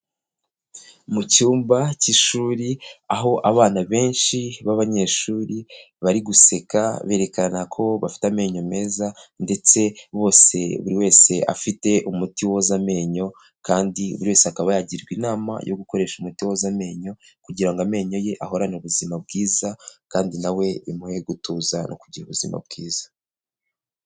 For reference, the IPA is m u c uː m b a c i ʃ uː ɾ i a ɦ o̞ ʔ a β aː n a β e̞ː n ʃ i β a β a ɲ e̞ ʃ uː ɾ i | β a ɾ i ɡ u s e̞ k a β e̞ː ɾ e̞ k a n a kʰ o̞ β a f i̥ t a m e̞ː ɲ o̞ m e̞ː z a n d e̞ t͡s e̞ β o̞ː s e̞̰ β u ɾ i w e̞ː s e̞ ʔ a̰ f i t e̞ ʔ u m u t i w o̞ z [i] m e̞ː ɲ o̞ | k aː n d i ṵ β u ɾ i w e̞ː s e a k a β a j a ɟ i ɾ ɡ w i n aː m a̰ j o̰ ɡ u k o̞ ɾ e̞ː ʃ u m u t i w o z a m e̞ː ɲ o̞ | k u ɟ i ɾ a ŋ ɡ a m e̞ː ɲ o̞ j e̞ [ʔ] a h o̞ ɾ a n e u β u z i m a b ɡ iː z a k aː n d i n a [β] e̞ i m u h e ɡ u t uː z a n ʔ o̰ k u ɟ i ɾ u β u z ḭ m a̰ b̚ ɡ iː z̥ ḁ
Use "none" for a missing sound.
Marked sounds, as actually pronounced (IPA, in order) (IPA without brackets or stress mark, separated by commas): a, ʔ, w